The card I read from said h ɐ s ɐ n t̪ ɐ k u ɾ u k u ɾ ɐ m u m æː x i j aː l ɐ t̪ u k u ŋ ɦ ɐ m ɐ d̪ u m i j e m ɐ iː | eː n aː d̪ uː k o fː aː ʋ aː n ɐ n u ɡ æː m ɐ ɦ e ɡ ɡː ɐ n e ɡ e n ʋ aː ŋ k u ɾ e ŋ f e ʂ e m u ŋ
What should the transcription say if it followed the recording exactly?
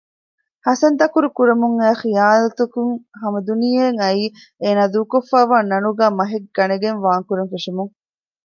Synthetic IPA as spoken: h ɐ s ɐ n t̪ ɐ k u ɾ u k u ɾ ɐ m u ŋ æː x i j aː l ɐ t̪ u k u ŋ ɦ ɐ m ɐ d̪ u n i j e ŋ ɐ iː | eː n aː d̪ uː k o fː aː ʋ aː n ɐ n u ɡ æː m ɐ ɦ e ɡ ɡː ɐ n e ɡ e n ʋ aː ŋ k u ɾ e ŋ f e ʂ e m u ŋ